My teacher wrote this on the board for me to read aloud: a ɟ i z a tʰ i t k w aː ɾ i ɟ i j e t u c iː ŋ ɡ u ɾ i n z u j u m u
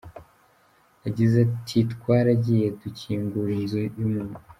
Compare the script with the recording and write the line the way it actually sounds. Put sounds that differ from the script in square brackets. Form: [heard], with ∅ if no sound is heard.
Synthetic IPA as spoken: a ɟ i z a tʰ i t k w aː ɾ [a] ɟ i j e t u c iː ŋ ɡ u ɾ i n z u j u m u